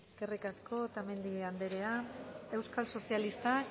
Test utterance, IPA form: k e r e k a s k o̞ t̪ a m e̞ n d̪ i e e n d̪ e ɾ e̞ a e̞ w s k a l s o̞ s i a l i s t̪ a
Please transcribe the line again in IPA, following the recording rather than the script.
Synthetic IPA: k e r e k a s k o̞ t̪ a m e̞ n d̪ i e a n d̪ e ɾ e̞ a e̞ w s k a l s o̞ s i a l i s t̪ a